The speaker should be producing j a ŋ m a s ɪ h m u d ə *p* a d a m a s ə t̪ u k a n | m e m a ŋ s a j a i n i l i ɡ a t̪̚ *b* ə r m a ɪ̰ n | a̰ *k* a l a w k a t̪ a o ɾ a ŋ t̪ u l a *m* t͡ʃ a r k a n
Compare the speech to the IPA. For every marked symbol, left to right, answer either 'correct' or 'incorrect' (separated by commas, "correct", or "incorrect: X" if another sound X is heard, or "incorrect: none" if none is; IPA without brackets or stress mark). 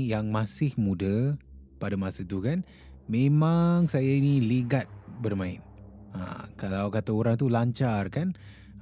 correct, correct, correct, incorrect: ɲ